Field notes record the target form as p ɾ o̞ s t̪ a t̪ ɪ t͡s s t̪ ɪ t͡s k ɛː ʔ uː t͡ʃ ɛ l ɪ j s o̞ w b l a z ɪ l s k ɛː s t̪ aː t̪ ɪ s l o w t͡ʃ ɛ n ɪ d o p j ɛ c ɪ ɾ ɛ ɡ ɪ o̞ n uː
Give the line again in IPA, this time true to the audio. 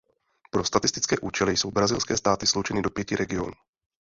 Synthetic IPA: p ɾ o̞ s t̪ a t̪ ɪ s t̪ ɪ t͡s k ɛː ʔ uː t͡ʃ ɛ l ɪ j s o̞ w b ɾ a z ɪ l s k ɛː s t̪ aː t̪ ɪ s l o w t͡ʃ ɛ n ɪ d o p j ɛ c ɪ ɾ ɛ ɡ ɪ o̞ n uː